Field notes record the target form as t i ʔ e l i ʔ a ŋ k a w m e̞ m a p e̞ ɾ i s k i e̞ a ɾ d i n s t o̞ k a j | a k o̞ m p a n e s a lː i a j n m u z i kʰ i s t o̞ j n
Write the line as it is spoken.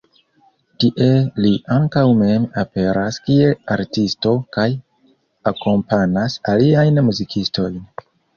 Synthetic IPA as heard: t i ʔ e l i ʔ a ŋ k a w m e̞ m a p e̞ ɾ a s k i e̞ a ɾ t i s t o̞ k a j | a k o̞ m p a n a s a l i a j n m u z i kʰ i s t o̞ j n